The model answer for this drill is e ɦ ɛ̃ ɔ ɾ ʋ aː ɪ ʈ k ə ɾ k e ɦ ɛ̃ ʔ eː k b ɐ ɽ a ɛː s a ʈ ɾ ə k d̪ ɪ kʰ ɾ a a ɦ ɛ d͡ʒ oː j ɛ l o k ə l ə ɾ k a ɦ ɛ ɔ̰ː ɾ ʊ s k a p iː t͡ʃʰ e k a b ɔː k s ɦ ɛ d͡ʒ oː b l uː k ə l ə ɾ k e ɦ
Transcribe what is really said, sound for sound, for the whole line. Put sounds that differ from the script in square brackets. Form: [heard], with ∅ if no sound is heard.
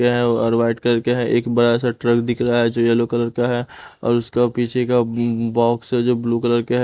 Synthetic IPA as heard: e ɦ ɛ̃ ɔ ɾ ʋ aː ɪ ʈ k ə ɾ k e ɦ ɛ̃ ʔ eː k b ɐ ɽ a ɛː s a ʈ ɾ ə k d̪ ɪ kʰ ɾ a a ɦ ɛ d͡ʒ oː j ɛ l o k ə l ə ɾ k a ɦ ɛ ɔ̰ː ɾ ʊ s k a p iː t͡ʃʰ e k a b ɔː k s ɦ ɛ d͡ʒ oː b l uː k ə l ə ɾ k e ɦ